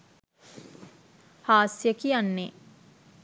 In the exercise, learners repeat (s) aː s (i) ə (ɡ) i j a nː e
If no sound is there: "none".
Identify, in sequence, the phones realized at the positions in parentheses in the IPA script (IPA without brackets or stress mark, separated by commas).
h, j, k